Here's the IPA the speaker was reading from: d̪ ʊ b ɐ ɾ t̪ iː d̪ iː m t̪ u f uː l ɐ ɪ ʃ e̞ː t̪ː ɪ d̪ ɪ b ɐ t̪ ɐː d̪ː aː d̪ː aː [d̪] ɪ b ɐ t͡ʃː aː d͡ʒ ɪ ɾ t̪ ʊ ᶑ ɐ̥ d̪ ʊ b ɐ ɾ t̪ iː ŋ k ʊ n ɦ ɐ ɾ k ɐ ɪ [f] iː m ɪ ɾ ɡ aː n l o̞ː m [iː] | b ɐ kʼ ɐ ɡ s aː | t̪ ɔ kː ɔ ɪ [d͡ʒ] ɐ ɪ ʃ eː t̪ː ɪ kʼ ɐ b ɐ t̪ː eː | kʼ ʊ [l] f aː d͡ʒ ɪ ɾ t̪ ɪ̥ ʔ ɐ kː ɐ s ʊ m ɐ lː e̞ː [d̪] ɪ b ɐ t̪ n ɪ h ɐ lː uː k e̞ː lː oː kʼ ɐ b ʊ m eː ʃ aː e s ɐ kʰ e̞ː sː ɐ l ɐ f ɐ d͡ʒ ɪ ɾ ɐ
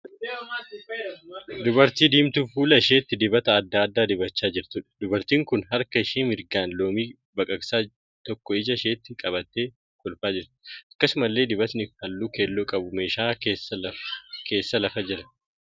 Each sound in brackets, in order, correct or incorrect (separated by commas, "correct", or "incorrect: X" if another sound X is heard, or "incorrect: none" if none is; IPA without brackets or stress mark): correct, incorrect: ʃ, correct, correct, correct, correct